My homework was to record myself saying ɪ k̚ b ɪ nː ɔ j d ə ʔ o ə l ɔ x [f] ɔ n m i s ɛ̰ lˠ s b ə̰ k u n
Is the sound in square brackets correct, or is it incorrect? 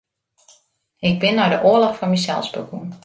correct